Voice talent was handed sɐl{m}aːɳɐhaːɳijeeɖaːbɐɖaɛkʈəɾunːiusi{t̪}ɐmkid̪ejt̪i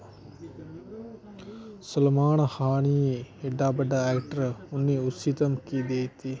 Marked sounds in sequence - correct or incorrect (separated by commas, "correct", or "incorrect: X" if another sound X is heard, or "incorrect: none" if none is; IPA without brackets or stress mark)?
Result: correct, correct